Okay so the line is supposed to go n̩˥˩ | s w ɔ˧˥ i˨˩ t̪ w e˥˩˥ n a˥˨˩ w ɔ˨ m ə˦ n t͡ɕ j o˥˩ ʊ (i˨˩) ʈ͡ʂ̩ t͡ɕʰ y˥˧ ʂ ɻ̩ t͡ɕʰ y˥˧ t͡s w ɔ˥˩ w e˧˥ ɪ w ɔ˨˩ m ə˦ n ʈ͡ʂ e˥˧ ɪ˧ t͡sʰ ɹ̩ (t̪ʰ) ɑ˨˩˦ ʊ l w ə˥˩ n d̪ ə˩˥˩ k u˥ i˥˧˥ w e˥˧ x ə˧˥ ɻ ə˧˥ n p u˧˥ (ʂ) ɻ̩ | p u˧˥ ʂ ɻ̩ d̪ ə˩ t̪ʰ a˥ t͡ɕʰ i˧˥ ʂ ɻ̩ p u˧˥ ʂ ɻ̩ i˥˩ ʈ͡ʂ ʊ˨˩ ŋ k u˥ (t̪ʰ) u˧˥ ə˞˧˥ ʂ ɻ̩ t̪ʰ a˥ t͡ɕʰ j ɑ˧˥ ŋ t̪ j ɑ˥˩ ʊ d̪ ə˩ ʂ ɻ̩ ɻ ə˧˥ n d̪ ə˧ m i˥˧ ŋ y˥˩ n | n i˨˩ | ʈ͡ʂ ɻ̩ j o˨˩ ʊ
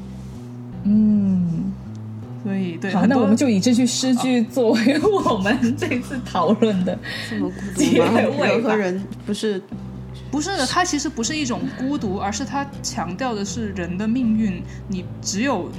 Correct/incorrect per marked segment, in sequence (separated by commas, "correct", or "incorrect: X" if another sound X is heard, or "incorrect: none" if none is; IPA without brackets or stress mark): correct, correct, correct, incorrect: t̪